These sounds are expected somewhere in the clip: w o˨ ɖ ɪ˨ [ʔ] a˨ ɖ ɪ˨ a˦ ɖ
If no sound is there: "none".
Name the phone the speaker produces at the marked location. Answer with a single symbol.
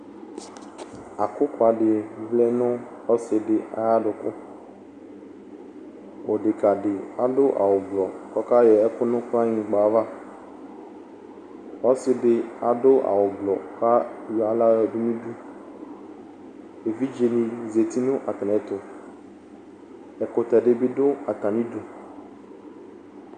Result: k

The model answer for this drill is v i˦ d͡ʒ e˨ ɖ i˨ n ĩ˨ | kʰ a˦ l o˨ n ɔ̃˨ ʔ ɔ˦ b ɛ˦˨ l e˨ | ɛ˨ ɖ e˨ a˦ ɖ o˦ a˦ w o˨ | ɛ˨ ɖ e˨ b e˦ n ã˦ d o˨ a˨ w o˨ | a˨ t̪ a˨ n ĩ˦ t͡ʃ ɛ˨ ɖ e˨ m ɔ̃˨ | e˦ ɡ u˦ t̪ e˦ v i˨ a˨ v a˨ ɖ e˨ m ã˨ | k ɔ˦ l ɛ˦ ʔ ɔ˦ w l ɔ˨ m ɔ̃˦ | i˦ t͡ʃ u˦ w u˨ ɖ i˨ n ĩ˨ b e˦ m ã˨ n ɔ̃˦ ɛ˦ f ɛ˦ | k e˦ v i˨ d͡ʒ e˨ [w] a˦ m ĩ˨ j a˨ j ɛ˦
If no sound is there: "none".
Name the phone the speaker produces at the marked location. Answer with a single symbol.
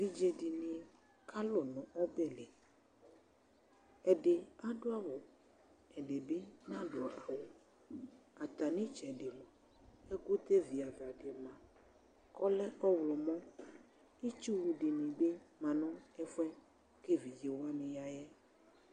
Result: w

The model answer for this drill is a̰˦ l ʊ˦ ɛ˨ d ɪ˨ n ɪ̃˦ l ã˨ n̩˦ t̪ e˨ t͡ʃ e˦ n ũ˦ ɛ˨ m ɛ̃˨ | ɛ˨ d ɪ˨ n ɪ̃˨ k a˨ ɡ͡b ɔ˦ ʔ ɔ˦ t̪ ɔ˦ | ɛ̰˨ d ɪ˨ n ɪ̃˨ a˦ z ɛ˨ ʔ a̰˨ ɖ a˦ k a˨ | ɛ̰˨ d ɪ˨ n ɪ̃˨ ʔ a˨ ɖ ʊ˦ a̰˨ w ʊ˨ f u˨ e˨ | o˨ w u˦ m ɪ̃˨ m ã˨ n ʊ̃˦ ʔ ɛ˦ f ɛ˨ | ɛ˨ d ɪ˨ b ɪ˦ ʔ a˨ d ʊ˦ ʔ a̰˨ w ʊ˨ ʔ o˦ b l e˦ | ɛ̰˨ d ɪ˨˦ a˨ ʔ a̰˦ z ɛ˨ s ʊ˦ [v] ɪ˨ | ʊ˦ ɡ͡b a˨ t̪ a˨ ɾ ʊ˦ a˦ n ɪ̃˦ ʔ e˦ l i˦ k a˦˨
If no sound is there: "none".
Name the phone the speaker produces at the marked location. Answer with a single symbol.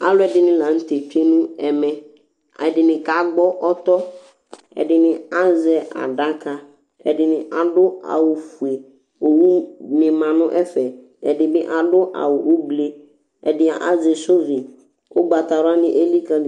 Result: v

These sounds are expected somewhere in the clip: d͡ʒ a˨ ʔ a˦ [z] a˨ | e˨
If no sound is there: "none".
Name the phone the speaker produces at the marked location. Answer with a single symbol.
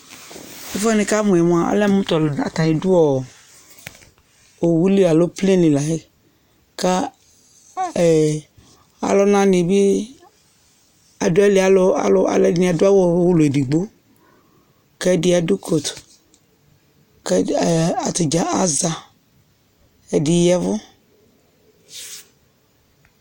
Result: z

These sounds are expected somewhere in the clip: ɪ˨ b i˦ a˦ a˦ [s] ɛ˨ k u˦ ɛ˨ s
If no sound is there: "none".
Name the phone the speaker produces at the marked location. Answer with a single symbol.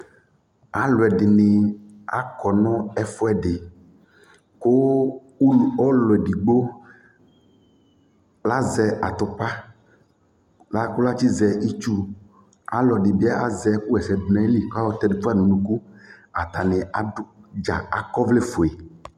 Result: z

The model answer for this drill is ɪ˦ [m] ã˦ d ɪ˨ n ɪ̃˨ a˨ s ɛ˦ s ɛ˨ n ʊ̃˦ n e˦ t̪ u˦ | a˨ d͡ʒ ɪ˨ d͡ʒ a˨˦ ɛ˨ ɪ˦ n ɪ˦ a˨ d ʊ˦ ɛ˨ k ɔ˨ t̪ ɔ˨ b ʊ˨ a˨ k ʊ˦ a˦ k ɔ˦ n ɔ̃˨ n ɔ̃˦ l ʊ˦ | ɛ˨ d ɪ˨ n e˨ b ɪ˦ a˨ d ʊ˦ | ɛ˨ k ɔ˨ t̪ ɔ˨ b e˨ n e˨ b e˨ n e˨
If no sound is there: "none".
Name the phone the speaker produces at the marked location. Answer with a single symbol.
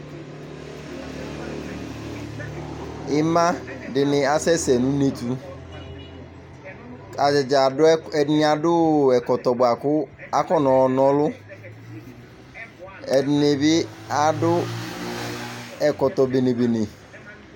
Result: m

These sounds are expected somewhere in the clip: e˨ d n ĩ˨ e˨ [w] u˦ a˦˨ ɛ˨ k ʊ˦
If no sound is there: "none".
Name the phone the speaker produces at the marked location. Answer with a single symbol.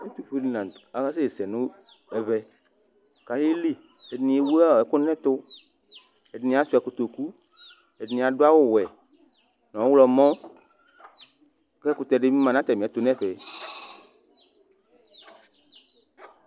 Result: w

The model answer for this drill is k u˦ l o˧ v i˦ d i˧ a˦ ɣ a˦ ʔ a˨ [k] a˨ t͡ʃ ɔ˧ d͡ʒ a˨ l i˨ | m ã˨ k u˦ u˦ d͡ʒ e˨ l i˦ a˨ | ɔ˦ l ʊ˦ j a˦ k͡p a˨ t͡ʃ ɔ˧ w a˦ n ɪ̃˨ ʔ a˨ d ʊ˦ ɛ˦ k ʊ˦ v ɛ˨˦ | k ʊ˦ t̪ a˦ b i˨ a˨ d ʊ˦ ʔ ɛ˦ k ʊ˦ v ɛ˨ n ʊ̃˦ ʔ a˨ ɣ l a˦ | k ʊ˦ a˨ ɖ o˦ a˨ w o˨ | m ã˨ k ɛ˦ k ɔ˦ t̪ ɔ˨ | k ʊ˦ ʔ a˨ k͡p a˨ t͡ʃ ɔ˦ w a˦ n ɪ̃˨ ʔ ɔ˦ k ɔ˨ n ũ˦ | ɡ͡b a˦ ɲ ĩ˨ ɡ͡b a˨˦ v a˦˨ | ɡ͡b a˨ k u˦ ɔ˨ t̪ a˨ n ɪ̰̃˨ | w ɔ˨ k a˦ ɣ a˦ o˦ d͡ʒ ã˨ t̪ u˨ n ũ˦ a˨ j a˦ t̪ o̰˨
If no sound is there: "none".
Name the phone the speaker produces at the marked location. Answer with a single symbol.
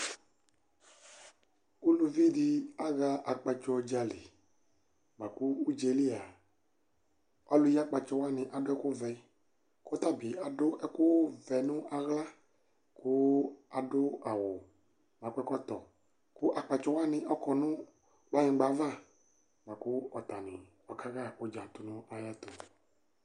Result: k͡p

